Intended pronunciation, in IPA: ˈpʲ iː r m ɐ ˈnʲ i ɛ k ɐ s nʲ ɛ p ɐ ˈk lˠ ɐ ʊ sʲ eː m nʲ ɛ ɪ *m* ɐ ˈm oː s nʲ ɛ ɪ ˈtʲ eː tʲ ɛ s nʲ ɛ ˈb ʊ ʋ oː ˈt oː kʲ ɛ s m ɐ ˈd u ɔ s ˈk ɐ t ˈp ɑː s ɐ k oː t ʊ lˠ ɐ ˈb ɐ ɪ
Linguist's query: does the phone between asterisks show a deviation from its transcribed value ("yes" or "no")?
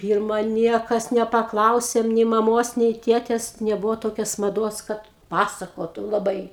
no